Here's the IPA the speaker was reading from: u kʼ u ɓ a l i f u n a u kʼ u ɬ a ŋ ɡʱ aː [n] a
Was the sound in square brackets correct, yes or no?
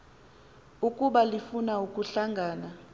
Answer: yes